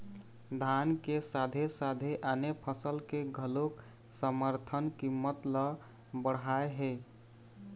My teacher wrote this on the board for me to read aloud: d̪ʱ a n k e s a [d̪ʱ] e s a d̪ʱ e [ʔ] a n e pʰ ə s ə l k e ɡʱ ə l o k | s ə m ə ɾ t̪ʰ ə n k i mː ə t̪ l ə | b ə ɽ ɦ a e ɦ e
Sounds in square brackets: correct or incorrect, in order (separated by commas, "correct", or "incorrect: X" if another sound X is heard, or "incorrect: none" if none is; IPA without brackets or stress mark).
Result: correct, correct